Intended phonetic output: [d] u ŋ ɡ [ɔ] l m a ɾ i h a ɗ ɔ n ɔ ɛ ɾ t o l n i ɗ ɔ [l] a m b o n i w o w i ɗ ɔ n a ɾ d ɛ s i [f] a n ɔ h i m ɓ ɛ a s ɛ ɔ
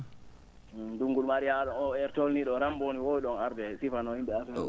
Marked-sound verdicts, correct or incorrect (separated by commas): correct, incorrect, incorrect, correct